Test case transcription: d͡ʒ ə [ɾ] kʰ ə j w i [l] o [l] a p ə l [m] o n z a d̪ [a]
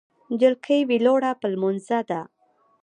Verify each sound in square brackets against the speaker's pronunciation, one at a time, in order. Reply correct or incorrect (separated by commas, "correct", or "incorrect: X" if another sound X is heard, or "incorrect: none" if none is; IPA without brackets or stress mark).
incorrect: l, correct, incorrect: ɽ, correct, correct